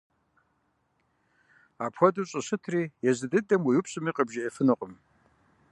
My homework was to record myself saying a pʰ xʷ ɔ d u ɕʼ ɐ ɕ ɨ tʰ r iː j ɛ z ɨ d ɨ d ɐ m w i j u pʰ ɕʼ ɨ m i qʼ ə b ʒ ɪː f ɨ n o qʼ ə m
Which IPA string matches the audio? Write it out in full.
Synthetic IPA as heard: a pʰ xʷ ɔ d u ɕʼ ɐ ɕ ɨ tʰ r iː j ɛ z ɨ d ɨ d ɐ m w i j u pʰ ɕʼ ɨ m i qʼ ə b ʒ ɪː f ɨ n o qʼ ə m